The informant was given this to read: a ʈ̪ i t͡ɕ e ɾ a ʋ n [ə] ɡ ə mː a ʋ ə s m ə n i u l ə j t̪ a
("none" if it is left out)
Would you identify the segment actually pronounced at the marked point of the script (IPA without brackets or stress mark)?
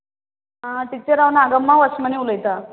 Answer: a